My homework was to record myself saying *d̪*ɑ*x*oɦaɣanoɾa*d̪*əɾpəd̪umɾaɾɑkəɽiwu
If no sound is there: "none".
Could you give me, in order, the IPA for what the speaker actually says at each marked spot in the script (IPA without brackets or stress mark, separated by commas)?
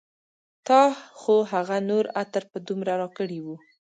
t̪, x, t̪